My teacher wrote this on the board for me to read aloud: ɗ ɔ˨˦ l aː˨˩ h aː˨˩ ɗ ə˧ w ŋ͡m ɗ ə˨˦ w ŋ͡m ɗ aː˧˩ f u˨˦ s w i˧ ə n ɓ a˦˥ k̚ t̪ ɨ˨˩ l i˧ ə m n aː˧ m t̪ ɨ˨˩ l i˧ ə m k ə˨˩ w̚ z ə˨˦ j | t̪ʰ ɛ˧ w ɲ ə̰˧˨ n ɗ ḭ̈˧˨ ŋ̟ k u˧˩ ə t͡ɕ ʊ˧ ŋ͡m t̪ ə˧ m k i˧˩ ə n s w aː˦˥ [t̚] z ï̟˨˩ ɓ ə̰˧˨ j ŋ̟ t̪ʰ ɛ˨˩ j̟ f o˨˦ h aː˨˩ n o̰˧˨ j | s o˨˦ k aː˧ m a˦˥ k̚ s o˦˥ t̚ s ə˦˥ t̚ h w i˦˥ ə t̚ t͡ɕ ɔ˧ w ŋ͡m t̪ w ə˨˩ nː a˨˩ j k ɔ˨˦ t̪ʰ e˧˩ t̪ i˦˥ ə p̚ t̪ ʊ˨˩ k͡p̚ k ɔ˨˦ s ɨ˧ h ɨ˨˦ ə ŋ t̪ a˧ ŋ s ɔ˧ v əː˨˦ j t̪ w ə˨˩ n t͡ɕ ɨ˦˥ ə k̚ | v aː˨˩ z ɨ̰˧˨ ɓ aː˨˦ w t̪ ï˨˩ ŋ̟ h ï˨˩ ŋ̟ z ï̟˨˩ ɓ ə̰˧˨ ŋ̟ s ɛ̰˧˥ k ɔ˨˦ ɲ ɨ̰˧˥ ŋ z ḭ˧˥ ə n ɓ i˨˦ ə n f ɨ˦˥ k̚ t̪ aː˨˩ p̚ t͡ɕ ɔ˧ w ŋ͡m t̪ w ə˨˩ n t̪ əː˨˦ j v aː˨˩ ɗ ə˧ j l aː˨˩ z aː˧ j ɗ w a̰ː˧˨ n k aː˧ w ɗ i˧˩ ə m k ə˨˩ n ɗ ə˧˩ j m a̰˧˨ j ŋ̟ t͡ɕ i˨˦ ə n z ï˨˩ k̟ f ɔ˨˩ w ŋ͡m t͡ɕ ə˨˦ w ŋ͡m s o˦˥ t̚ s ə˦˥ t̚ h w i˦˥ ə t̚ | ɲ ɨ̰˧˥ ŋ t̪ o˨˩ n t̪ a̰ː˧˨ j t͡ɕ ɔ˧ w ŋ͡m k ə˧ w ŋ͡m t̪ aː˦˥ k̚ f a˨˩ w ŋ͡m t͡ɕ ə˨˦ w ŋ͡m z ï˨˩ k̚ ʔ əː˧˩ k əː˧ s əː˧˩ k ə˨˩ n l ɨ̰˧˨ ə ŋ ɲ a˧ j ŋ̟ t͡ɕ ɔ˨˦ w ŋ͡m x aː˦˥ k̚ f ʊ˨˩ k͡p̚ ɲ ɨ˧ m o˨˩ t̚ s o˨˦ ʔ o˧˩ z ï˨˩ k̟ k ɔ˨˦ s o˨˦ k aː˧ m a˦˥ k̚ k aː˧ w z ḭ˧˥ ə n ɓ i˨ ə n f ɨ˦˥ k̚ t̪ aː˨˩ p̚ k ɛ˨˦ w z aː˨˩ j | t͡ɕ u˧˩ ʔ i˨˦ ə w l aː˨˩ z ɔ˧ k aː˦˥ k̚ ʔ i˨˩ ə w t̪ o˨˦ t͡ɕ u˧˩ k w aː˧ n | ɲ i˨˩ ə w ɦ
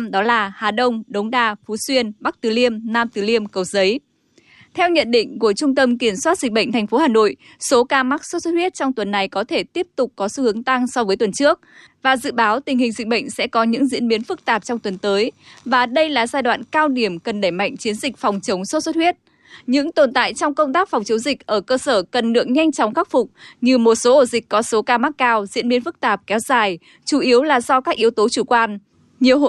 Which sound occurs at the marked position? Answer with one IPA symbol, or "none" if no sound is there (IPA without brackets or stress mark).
t̚